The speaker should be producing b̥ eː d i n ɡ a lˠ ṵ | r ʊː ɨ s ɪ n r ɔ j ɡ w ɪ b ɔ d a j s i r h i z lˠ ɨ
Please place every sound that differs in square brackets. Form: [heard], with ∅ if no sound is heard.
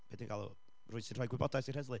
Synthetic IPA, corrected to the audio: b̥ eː d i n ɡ a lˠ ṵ | r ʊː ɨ s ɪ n r ɔ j ɡ w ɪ b ɔ d a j s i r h [ɛ] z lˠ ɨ